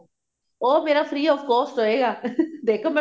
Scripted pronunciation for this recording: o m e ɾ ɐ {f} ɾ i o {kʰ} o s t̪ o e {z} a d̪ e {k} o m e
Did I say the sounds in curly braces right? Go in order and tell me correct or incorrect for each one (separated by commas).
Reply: correct, incorrect, incorrect, correct